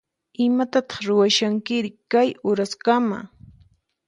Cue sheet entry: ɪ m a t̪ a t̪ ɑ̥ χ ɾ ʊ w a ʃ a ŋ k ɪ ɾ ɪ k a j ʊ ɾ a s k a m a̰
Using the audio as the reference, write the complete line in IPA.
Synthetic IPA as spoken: ɪ m a t̪ a t̪ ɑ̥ χ ɾ ʊ w a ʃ a ŋ k ɪ ɾ ɪ k a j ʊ ɾ a s k a m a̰

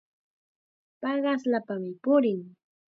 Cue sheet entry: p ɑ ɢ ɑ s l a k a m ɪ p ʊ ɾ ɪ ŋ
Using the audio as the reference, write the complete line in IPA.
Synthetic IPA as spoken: p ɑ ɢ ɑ s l a p a m ɪ p ʊ ɾ ɪ ŋ

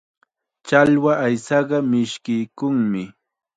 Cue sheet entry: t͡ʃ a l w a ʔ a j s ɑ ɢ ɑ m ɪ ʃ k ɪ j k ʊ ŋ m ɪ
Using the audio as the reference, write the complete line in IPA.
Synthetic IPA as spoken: t͡ʃ a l w a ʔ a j s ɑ ɢ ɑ m ɪ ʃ k ɪ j k ʊ ŋ m ɪ

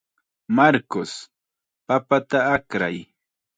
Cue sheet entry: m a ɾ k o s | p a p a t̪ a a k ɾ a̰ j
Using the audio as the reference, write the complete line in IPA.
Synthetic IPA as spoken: m a ɾ k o s | p a p a t̪ a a k ɾ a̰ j

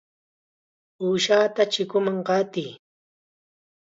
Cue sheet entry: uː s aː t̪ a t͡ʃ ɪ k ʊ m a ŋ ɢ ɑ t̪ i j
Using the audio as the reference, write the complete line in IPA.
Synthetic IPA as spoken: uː ʃ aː t̪ a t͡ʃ ɪ k ʊ m a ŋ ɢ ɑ t̪ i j

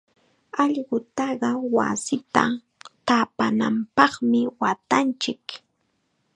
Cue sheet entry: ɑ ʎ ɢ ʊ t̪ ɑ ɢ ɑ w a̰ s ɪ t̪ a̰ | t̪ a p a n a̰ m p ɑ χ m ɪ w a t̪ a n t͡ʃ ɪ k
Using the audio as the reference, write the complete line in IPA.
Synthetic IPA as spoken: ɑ ʎ ɢ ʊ t̪ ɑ ɢ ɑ w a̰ s ɪ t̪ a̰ | t̪ a p a n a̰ m p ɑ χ m ɪ w a t̪ a n t͡ʃ ɪ k

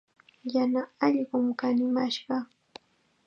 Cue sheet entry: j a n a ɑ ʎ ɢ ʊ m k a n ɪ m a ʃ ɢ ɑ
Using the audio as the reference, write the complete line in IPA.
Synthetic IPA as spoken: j a n a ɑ ʎ ɢ ʊ m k a n ɪ m a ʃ ɢ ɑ

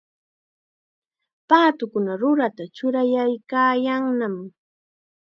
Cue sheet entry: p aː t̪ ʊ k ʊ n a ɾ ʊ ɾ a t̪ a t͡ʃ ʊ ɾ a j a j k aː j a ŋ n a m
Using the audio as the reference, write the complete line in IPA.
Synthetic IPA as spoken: p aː t̪ ʊ k ʊ n a ɾ ʊ ɾ a t̪ a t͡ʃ ʊ ɾ a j a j k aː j a ŋ n a m

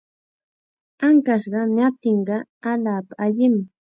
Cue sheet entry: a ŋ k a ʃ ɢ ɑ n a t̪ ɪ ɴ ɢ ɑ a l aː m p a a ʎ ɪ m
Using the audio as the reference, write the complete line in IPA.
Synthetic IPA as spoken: a ŋ k a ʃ ɢ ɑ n a t̪ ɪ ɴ ɢ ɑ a l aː p a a ʎ ɪ m

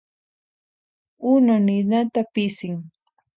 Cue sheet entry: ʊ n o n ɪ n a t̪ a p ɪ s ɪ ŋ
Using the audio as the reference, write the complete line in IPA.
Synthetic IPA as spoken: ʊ n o n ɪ n a t̪ a p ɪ s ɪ ŋ

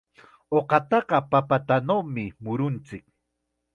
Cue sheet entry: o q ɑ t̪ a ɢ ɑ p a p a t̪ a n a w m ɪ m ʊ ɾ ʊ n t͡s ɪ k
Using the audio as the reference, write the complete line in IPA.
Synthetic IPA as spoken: o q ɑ t̪ ɑ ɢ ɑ p a p a t̪ a n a w m ɪ m ʊ ɾ ʊ n t͡s ɪ k

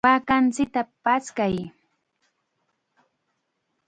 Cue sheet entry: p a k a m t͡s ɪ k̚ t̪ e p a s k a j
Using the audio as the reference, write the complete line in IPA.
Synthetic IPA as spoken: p a k a n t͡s ɪ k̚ t̪ a p a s k a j

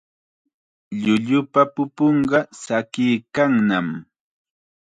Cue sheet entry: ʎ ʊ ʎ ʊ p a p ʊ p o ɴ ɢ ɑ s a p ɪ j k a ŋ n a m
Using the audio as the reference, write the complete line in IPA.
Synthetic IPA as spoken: ʎ ʊ ʎ ʊ p a p ʊ p o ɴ ɢ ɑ s a k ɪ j k a ŋ n a m

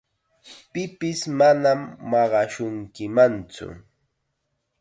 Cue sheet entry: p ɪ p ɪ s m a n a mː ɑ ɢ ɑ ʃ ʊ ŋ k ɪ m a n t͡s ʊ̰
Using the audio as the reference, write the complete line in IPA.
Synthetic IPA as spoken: p ɪ p ɪ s m a n a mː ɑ ɢ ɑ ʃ ʊ ŋ k ɪ m a n t͡s ʊ̰

